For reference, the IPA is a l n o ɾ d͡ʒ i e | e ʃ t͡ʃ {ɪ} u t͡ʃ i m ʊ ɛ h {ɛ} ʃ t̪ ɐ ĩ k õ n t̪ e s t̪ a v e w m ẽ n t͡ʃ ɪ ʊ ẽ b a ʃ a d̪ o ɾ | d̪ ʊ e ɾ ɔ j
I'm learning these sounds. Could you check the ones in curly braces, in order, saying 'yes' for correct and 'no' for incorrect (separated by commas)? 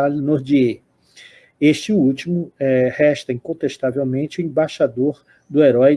yes, yes